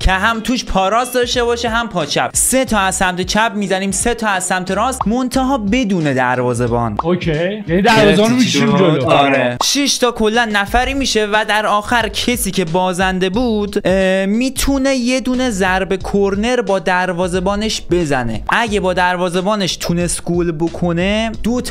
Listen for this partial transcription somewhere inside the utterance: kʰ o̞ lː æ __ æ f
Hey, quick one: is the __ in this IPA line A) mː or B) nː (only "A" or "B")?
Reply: B